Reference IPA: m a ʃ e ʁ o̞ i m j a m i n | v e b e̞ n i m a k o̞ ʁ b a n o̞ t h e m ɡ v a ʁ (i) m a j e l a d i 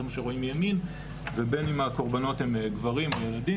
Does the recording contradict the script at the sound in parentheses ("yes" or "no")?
no